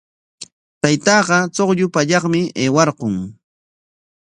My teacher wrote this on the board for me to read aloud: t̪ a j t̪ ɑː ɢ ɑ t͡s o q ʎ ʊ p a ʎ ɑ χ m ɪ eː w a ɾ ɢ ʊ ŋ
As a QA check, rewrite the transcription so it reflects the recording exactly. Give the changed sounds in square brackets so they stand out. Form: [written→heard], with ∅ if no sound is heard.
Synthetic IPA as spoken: t̪ a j t̪ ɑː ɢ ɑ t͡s o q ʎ ʊ p a ʎ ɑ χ m ɪ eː w [a→ɑ] ɾ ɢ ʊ ŋ